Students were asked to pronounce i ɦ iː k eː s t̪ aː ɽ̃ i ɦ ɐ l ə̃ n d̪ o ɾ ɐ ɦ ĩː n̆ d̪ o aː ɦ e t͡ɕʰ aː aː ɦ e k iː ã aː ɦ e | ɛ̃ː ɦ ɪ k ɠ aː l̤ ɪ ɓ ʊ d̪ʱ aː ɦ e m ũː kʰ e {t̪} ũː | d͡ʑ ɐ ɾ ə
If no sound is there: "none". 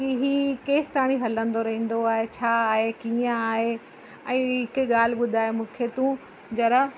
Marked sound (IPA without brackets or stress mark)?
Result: t̪